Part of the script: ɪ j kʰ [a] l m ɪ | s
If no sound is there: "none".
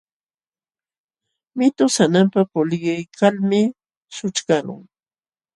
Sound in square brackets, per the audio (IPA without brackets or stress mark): a